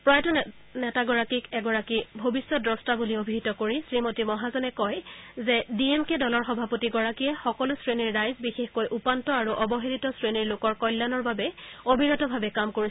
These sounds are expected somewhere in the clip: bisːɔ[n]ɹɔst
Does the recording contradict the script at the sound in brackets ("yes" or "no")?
yes